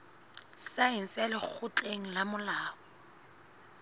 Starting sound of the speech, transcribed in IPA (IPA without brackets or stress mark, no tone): s